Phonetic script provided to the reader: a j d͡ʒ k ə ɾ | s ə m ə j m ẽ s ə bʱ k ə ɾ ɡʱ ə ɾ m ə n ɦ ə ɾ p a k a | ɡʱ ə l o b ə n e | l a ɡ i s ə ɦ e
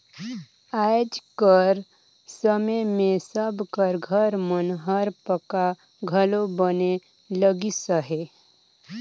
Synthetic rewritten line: a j d͡ʒ k ə ɾ | s ə m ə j m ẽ s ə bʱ k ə ɾ ɡʱ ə ɾ m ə n ɦ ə ɾ p ə k a | ɡʱ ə l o b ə n e | l ə ɡ i s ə ɦ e